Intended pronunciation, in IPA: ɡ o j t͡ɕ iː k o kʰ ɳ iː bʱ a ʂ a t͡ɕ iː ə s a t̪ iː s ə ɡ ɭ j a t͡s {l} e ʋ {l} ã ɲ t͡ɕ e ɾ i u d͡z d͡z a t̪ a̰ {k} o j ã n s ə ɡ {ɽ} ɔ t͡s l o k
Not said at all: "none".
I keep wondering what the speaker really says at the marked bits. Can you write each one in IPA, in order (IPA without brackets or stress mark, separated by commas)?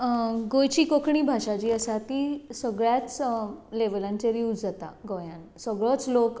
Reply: l, l, ɡ, ɭ